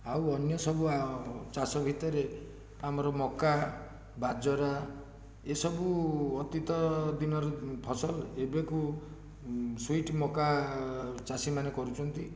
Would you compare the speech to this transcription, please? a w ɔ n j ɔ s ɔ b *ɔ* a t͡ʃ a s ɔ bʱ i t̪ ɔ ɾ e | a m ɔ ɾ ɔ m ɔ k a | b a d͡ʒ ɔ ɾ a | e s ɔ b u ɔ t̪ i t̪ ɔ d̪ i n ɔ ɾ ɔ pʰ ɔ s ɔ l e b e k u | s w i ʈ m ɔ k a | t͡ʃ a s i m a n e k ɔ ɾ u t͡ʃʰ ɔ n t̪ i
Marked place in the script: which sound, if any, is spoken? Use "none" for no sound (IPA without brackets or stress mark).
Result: u